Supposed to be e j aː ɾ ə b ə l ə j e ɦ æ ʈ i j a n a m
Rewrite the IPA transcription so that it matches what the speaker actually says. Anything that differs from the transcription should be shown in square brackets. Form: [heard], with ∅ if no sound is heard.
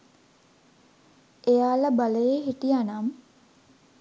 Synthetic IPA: e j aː [l] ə b [a] l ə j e ɦ [i] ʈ i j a n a m

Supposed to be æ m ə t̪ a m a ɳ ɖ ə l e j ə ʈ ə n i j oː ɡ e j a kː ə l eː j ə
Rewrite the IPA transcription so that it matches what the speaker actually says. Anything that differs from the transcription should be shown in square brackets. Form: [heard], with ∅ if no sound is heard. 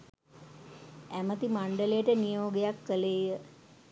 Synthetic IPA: æ m ə t̪ [i] m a ɳ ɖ ə l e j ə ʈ ə n i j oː ɡ e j a kː ə l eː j ə

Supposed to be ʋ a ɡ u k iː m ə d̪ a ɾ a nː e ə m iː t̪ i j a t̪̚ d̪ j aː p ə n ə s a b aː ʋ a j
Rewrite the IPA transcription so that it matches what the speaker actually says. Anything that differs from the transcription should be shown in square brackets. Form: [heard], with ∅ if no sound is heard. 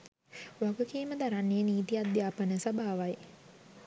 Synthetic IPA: ʋ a ɡ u k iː m ə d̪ a ɾ a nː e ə [n] iː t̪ i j a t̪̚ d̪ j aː p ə n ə s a b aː ʋ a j

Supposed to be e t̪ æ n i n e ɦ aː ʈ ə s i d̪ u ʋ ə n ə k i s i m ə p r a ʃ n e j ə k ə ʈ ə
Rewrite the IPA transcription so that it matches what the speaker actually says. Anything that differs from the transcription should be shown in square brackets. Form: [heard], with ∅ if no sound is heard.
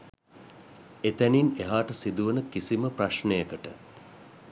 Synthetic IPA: e t̪ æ n i n e ɦ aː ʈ ə s i d̪ u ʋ ə n ə k i s i m ə p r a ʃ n e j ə k ə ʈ ə

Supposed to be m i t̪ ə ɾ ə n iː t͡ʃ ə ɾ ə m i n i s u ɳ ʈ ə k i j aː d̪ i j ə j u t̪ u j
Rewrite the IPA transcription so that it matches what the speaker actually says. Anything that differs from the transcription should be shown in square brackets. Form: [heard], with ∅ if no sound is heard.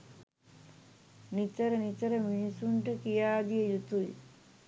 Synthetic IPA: [n] i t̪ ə ɾ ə n [i] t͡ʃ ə ɾ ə m i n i s u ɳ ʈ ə k i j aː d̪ i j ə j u t̪ u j

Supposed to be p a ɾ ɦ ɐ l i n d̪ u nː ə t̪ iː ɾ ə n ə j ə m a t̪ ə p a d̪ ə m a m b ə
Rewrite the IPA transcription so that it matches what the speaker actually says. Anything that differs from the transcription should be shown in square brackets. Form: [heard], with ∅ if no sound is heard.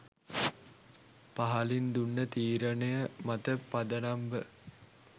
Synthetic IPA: p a [∅] ɦ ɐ l i n d̪ u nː ə t̪ iː ɾ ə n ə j ə m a t̪ ə p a d̪ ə [n] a m b ə

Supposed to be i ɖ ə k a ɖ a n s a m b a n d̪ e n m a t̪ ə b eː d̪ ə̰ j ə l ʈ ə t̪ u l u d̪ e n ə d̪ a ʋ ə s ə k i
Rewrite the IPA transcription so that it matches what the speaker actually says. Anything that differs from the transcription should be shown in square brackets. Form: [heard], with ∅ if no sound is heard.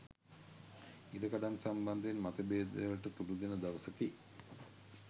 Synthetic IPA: i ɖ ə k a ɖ a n s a m b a n d̪ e n m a t̪ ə b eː d̪ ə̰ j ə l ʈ ə t̪ u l u d̪ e n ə d̪ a ʋ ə s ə k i

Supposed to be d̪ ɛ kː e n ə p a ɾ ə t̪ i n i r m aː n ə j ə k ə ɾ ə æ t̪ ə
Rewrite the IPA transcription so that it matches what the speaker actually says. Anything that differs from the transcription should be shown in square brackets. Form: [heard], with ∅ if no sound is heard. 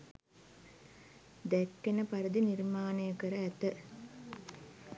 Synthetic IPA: d̪ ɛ kː e n ə p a ɾ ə [d̪] i n i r m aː n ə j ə k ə ɾ ə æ t̪ ə

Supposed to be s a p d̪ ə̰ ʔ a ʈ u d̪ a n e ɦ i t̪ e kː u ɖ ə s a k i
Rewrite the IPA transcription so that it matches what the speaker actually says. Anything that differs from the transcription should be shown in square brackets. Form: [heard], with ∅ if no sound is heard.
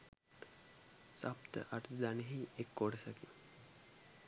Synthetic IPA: s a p [t̪] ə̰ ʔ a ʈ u d̪ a n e ɦ i [∅] e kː [o] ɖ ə s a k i

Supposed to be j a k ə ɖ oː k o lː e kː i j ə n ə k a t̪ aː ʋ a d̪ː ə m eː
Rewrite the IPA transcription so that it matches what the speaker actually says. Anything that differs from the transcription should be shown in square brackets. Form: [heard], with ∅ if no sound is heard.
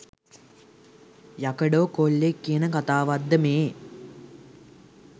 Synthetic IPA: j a k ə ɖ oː k o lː e kː i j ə n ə k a t̪ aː ʋ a d̪ː ə m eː

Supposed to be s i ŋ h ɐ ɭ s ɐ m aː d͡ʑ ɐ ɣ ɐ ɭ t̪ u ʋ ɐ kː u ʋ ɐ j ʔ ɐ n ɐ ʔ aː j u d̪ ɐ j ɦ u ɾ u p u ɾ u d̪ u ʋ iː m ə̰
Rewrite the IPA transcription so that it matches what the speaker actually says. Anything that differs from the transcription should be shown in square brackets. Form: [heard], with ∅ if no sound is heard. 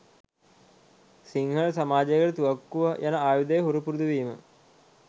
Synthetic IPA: s i ŋ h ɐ ɭ s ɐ m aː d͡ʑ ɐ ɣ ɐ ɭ t̪ u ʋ ɐ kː u ʋ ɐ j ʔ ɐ n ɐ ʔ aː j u d̪ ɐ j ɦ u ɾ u p u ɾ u d̪ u ʋ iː m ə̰

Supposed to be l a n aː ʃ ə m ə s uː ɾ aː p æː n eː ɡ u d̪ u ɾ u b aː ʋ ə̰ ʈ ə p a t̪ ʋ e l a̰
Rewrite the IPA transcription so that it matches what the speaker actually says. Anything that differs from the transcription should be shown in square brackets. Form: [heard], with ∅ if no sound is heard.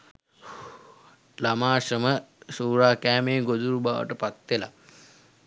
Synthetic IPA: l a [m] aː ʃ ə m ə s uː ɾ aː [k] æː [m] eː ɡ [o] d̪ u ɾ u b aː ʋ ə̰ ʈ ə p a t̪ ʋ e l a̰

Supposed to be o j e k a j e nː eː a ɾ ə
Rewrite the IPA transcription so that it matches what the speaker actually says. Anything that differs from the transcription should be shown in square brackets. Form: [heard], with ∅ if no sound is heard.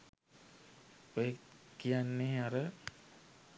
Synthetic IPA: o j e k [i] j [a] nː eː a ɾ ə

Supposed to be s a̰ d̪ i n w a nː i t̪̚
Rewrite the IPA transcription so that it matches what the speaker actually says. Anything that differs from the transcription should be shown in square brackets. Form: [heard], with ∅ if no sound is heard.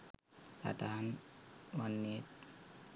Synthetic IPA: s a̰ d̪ [a] n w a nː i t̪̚

